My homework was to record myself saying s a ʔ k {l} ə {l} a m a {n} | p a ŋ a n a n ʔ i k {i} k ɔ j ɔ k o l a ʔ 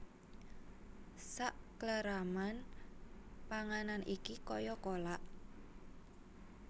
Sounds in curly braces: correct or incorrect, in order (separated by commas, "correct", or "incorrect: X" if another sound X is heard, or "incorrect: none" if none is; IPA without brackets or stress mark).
correct, incorrect: ɾ, correct, correct